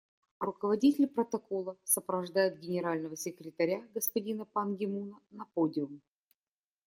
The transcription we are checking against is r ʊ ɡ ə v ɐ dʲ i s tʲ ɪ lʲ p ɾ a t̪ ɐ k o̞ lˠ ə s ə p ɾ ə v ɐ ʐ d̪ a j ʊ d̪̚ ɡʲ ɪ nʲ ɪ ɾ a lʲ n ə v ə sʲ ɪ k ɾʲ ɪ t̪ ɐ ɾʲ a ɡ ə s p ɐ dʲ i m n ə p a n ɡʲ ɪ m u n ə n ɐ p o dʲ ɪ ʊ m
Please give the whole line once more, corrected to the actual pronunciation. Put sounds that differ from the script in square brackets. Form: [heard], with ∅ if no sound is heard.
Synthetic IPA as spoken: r ʊ [k] ə v ɐ dʲ i [∅] tʲ ɪ lʲ p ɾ [ə] t̪ ɐ k o̞ lˠ ə s ə p ɾ ə v ɐ ʐ d̪ a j ʊ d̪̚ ɡʲ ɪ nʲ ɪ ɾ a lʲ n ə v ə sʲ ɪ k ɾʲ ɪ t̪ ɐ ɾʲ a ɡ ə s p ɐ dʲ i [∅] n ə p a n ɡʲ ɪ m u n ə n ɐ p o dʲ ɪ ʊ m